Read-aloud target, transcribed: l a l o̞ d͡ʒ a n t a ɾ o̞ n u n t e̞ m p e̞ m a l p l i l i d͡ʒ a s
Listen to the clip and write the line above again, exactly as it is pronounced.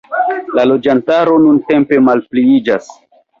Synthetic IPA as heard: l a l o̞ d͡ʒ a n t a ɾ o̞ n u n t e̞ m p e̞ m a l p l i i d͡ʒ a s

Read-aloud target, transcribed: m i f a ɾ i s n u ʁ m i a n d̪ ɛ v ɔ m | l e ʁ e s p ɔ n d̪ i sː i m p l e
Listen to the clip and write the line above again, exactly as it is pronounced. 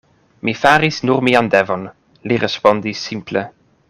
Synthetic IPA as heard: m i f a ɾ i s n u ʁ m i a n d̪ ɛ v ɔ n | l i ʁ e s p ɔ n d̪ i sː i m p l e

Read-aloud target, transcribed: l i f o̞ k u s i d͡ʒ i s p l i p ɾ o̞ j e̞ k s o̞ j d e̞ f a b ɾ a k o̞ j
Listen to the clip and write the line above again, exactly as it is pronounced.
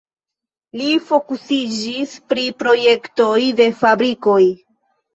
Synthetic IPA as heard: l i f o̞ k u s i d͡ʒ i s p ɾ i p ɾ o̞ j e̞ k t o̞ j d e̞ f a b ɾ i k o̞ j

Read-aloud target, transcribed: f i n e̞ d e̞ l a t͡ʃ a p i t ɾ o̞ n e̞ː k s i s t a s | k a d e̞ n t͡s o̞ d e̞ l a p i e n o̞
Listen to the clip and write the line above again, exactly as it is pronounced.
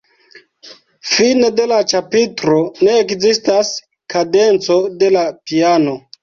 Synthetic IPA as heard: f i n e̞ d e̞ l a t͡ʃ a p i t ɾ o̞ n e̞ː k z i s t a s | k a d e̞ n t͡s o̞ d e̞ l a p i a n o̞

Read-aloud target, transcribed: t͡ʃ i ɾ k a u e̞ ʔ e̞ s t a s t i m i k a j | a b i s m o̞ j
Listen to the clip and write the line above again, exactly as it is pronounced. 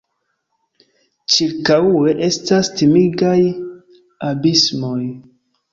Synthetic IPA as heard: t͡ʃ i ɾ k a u e̞ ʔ e̞ s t a s t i m i ɡ a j | a b i s m o̞ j

